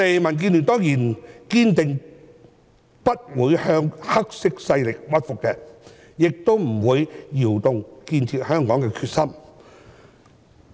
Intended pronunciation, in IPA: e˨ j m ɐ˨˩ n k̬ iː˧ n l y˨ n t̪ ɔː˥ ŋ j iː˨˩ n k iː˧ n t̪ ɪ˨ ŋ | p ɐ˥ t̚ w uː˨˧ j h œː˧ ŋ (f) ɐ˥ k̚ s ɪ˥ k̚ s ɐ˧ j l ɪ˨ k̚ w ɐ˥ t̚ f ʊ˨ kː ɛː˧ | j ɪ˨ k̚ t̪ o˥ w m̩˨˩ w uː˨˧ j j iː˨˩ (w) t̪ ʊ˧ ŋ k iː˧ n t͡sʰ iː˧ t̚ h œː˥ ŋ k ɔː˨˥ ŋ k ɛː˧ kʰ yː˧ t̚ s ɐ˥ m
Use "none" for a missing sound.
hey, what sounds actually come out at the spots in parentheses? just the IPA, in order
h, w

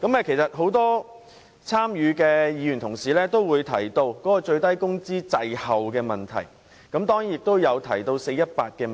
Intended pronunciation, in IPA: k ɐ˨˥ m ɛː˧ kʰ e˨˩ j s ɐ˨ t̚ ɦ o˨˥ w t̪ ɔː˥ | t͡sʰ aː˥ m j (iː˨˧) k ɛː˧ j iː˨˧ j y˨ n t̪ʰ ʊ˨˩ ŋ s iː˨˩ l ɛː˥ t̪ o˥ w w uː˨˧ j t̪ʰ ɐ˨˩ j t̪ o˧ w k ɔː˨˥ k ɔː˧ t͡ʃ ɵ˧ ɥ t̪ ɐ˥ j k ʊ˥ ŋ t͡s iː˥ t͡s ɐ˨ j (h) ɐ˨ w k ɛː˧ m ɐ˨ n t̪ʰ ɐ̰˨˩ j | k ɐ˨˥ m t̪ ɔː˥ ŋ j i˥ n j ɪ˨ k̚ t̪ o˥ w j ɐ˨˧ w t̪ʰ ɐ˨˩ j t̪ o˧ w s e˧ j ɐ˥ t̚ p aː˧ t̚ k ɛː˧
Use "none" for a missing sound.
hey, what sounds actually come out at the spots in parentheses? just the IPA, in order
yː˨˧, h

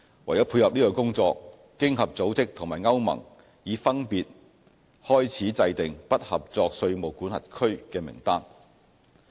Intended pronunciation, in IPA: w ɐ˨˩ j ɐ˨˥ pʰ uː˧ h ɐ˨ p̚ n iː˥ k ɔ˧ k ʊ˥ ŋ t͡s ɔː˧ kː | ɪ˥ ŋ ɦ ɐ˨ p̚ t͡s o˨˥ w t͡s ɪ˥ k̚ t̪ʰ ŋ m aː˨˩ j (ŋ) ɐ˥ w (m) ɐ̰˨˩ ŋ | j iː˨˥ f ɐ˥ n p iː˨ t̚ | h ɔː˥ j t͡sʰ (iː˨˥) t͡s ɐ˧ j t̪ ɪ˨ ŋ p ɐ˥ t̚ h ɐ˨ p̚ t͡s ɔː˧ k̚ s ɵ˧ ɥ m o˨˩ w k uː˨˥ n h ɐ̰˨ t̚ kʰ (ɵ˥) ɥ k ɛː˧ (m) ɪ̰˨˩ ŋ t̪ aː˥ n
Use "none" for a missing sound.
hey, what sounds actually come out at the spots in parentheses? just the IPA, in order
ŋ, m, iː˨˥, ɵ˥, m

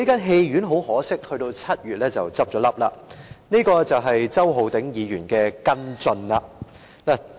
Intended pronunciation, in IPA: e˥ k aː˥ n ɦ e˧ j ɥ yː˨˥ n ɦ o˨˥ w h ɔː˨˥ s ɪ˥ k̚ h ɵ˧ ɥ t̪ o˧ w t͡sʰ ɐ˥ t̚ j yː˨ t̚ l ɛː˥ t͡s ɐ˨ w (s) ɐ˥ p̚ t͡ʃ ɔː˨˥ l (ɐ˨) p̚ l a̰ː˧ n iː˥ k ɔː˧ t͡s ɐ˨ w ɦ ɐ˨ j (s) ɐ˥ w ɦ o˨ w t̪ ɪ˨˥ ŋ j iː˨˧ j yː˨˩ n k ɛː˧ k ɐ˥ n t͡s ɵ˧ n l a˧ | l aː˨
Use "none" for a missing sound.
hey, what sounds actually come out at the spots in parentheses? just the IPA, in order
t͡s, ɐ˥, t͡s

